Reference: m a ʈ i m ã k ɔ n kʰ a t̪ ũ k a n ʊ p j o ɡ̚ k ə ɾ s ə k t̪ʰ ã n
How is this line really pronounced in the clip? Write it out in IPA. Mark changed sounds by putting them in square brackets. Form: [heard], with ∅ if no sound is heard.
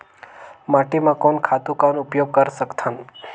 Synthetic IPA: m a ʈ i m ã k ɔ n kʰ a t̪ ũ k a n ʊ p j o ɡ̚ k ə ɾ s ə k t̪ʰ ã n